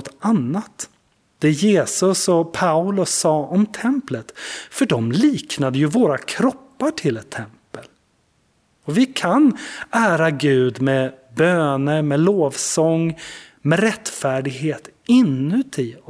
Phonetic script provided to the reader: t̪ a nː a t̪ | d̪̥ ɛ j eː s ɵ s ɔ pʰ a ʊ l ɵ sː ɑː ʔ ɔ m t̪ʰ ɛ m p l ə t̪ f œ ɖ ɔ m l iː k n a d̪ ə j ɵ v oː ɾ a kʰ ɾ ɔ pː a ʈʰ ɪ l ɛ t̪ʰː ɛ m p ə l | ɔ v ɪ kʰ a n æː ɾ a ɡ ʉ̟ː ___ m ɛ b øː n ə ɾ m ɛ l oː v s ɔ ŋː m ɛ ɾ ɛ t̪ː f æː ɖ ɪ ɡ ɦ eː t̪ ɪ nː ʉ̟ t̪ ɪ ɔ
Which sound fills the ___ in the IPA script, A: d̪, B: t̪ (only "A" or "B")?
A